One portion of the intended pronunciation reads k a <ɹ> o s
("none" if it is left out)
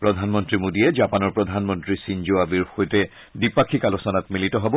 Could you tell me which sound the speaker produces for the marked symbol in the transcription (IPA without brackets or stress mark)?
l